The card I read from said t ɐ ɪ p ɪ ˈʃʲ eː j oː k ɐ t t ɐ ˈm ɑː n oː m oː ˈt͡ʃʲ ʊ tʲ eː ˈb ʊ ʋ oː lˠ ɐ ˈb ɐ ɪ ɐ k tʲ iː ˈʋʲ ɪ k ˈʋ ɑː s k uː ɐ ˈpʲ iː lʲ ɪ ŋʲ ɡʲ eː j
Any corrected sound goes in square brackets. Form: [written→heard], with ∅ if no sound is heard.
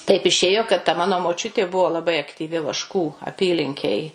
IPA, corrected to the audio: t ɐ ɪ p ɪ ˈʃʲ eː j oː k ɐ t t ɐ ˈm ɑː n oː m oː ˈt͡ʃʲ ʊ tʲ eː ˈb ʊ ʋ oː lˠ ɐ ˈb ɐ ɪ ɐ k tʲ iː ˈʋʲ ɪ [k→∅] ˈʋ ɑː [s→ʃ] k uː ɐ ˈpʲ iː lʲ ɪ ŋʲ [ɡʲ→kʲ] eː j